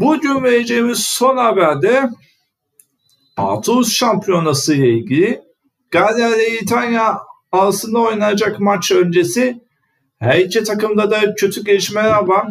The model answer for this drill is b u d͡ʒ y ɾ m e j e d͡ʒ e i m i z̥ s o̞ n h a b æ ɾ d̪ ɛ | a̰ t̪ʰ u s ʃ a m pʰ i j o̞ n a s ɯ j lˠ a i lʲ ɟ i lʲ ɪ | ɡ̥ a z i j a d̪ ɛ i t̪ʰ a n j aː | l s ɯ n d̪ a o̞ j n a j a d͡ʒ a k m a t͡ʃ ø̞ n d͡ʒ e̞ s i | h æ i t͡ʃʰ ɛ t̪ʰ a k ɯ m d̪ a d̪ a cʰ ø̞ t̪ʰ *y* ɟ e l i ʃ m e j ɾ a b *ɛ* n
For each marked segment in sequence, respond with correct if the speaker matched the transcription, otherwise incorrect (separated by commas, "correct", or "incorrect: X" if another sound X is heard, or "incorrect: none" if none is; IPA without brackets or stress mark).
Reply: correct, incorrect: a